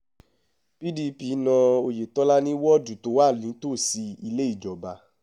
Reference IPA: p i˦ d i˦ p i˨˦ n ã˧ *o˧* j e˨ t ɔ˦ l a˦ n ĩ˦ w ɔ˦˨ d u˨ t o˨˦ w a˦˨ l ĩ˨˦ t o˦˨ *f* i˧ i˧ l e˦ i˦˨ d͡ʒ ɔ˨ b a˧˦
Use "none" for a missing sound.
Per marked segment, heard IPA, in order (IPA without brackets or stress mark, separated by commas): o˧, s